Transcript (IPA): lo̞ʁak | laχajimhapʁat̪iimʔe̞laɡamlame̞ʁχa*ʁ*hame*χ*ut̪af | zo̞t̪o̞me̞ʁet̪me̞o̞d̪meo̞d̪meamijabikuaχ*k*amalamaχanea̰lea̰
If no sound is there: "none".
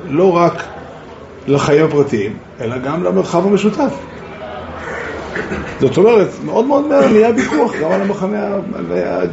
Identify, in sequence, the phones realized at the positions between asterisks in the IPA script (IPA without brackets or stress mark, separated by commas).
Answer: v, ʃ, ɡ